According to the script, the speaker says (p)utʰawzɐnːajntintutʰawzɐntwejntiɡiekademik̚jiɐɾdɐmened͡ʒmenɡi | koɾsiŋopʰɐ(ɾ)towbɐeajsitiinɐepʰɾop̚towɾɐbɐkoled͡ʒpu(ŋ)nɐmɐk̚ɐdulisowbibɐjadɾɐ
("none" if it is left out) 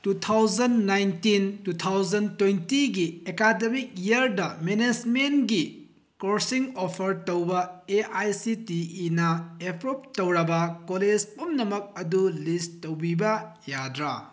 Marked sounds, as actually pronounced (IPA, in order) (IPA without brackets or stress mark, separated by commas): t, ɾ, m